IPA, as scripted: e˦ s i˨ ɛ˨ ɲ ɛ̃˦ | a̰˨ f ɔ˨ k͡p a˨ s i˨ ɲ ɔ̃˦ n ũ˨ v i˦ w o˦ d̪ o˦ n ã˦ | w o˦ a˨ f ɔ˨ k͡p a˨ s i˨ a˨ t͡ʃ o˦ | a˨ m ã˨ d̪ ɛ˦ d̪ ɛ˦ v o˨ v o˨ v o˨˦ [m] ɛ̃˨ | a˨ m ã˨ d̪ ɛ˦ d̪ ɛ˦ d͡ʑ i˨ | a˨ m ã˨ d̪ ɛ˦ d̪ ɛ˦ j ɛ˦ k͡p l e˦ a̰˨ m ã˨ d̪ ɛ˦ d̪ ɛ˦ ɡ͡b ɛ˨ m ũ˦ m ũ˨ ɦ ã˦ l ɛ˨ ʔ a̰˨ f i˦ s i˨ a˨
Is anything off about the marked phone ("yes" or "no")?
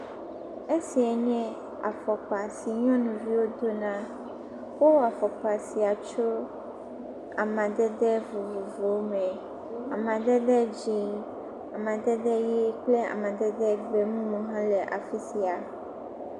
no